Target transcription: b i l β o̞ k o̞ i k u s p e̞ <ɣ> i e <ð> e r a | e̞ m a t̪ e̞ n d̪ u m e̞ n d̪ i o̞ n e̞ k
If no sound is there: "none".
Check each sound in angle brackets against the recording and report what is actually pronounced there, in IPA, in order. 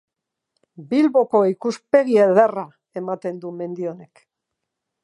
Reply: ɣ, ð

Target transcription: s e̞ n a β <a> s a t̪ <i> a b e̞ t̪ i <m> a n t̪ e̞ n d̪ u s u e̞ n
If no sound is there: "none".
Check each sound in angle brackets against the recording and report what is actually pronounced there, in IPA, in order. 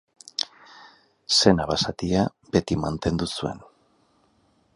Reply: a, i, m

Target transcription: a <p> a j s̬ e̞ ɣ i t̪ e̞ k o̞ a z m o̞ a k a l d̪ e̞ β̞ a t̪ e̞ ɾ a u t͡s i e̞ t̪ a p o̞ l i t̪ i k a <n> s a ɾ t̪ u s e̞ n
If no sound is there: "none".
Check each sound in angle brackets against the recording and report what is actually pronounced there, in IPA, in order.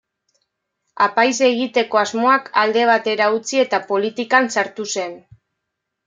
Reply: p, n

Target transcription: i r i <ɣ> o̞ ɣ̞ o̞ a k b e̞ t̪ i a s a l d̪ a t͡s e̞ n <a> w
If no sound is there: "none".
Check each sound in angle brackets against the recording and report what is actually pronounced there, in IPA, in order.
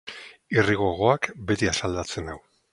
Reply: ɣ, a

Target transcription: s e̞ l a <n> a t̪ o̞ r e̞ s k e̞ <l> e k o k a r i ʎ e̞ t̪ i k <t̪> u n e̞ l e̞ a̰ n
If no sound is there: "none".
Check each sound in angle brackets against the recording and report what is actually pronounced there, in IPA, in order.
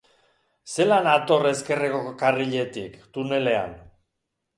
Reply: n, r, t̪

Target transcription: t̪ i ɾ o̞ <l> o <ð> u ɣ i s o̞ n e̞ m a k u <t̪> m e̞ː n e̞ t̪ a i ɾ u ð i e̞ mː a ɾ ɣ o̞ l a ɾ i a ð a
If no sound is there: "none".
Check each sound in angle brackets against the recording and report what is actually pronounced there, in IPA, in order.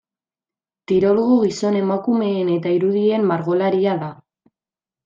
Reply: l, ɣ, none

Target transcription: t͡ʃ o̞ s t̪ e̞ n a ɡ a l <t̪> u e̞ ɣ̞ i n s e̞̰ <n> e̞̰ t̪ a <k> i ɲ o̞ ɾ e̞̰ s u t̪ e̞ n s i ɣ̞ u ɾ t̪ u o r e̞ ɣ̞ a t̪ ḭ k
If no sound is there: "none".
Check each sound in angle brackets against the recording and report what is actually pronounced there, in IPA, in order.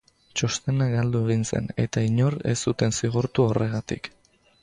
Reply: d̪, n, none

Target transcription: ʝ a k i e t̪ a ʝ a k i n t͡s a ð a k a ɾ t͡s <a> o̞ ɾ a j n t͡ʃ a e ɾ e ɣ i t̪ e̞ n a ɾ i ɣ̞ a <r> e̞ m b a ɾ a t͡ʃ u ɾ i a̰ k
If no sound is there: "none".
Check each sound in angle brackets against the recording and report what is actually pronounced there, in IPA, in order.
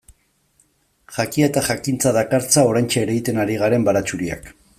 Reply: a, ɾ

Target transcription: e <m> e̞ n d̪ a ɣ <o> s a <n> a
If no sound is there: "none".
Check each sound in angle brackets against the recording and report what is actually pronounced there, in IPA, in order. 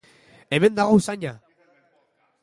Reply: m, o, ɲ

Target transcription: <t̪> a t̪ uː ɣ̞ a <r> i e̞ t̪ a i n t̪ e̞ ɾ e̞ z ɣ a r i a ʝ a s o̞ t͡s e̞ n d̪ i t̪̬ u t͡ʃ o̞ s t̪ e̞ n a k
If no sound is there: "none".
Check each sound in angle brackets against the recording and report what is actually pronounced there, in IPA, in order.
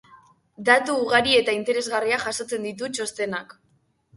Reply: d̪, ɾ

